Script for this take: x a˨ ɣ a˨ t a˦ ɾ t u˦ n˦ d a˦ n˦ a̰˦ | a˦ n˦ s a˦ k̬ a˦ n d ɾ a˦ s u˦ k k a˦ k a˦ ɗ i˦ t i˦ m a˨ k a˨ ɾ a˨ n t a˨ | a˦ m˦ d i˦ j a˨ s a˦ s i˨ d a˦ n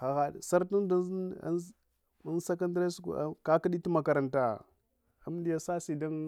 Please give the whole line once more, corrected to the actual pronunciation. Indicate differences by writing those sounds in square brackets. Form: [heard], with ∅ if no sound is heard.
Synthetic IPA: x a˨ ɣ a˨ [s] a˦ ɾ t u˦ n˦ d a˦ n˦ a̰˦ | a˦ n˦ s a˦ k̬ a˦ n d ɾ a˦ s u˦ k k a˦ k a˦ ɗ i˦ t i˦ m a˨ k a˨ ɾ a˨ n t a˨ | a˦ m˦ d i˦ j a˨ s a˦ s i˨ d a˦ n